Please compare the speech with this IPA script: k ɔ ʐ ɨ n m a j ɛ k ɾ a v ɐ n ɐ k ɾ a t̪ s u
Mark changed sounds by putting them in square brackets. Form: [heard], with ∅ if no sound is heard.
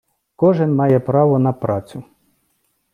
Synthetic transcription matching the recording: k ɔ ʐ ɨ n m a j ɛ [p] ɾ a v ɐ n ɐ [p] ɾ a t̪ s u